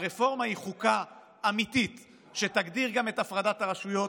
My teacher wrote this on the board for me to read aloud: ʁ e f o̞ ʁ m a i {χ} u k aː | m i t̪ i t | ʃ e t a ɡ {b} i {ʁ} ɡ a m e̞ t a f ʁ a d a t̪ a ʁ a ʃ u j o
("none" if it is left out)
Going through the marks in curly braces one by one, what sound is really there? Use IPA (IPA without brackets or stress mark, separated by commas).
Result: χ, d, ʁ